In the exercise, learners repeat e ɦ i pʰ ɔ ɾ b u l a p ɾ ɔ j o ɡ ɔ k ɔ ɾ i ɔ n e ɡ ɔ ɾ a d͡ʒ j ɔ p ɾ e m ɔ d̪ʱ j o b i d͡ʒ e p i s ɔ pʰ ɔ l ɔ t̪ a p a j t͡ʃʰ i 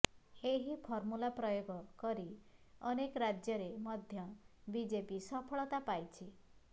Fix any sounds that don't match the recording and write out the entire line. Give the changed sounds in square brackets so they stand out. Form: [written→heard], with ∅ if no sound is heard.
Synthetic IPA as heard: e ɦ i pʰ ɔ ɾ [b→m] u l a p ɾ ɔ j o ɡ ɔ k ɔ ɾ i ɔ n e [ɡ→k] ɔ ɾ a d͡ʒ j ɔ [p→∅] ɾ e m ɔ d̪ʱ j [o→ɔ] b i d͡ʒ e p i s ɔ pʰ ɔ [l→ɭ] ɔ t̪ a p a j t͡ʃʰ i